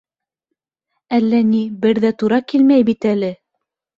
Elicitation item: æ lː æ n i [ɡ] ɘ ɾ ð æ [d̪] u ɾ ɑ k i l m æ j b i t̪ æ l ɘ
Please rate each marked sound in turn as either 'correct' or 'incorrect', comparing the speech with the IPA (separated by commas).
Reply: incorrect, incorrect